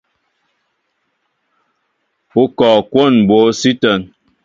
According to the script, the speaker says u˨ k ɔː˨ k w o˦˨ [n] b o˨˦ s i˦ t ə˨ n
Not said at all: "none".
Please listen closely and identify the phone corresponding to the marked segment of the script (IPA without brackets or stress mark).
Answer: n